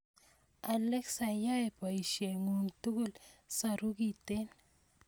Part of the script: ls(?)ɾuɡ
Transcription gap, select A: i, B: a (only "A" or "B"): B